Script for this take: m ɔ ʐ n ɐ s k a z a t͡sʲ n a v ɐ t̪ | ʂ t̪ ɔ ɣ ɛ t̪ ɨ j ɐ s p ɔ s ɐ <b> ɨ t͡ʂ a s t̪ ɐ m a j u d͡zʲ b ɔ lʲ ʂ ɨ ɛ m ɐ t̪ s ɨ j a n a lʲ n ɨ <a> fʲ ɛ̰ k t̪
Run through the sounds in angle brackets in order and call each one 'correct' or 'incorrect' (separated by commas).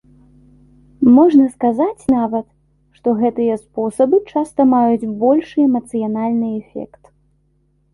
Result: correct, incorrect